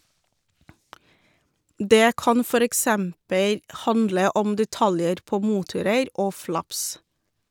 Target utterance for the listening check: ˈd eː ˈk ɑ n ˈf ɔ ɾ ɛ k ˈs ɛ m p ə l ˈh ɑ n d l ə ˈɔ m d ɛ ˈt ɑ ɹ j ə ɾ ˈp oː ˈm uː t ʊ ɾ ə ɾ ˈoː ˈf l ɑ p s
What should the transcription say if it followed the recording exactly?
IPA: ˈd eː ˈk ɑ n ˈf ɔ ɾ ɛ k ˈs ɛ m p ə l ˈh ɑ n d l ə ˈɔ m d ɛ ˈt ɑ l j ə ɾ ˈp oː ˈm uː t ʊ ɾ ə ɾ ˈoː ˈf l ɑ p s

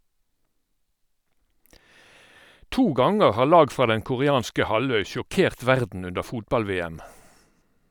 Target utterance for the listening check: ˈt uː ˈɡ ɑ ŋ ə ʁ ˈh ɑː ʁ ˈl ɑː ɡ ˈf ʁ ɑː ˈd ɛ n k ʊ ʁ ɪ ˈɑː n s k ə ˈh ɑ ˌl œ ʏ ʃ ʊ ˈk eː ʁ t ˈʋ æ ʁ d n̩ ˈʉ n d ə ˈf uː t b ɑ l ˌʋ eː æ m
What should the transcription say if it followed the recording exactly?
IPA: ˈt uː ˈɡ ɑ ŋ ə ʁ ˈh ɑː ʁ ˈl ɑː ɡ ˈf ʁ ɑː ˈd ɛ ŋ k ʊ ʁ ɪ ˈɑː n s k ə ˈh ɑ ˌl œ ʏ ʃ ʊ ˈk eː ʁ t ˈʋ æ ʁ d n̩ ˈʉ n d ə ˈf uː t b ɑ l ˌʋ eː æ m

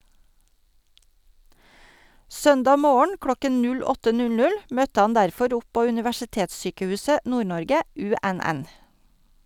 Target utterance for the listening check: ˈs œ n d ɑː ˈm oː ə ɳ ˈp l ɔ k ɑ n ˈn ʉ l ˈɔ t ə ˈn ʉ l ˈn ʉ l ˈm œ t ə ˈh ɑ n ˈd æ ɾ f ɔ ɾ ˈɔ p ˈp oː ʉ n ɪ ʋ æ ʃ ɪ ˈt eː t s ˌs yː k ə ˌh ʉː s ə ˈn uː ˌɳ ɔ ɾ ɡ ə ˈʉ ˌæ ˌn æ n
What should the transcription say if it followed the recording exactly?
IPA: ˈs œ n d ɑː ˈm oː ə ɳ ˈk l ɔ k ə n ˈn ʉ l ˈɔ t ə ˈn ʉ l ˈn ʉ l ˈm œ t ə ˈh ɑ n ˈd æ ɾ f ɔ ɾ ˈɔ p ˈp oː ʉ n ɪ ʋ æ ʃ ɪ ˈt eː t s ˌs yː k ə ˌh ʉː s ə ˈn uː ˌɳ ɔ ɾ ɡ ə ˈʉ ˌæ ˌn æ n

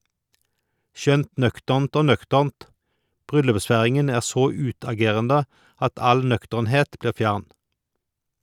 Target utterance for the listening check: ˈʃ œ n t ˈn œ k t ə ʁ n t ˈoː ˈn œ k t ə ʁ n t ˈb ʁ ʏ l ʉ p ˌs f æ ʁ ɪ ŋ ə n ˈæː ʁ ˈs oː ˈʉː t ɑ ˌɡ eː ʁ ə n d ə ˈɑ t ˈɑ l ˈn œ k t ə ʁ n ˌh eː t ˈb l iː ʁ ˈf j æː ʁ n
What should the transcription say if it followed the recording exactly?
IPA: ˈʃ œ n t ˈn œ k t ə ʁ n t ˈoː ˈn œ k t ə ʁ n t ˈb ʁ ʏ l ʉ p ˌs f æ ʁ ɪ ŋ ə n ˈæː ʁ ˈs oː ˈʉː t ɑ ˌɡ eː ʁ ə n d ə ˈɑ t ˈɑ l ˈn œ k t ə ʁ n ˌh eː t ˈb l iː ʁ ˈf j æ ʁ n

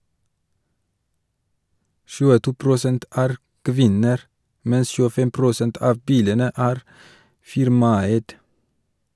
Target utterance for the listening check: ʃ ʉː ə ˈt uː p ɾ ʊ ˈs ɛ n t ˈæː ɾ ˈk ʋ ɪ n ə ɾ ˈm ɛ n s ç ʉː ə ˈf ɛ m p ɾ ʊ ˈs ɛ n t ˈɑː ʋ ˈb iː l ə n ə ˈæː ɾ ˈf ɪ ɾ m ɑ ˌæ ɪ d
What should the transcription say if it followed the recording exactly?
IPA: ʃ ʉː ə ˈt uː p ɾ ʊ ˈs ɛ n t ˈæː ɾ ˈk ʋ ɪ n ə ɾ ˈm ɛ n s ç ʉː ə ˈf ɛ m p ɾ ʊ ˈs ɛ n t ˈɑː ʋ ˈb iː l ə n ə ˈæː ɾ ˈf ɪ ɾ m ɑ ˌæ ɪ d

